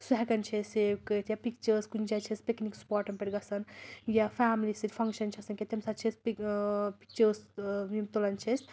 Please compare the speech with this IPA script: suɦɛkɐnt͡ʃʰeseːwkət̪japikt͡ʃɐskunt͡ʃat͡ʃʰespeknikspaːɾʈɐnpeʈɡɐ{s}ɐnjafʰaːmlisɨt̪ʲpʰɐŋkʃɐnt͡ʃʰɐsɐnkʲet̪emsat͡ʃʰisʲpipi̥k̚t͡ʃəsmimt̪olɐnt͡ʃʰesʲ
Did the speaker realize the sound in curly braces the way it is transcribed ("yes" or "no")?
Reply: yes